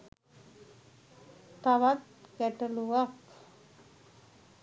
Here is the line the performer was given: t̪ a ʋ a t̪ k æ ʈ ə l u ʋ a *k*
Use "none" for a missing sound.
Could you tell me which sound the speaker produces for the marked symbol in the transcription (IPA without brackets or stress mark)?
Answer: k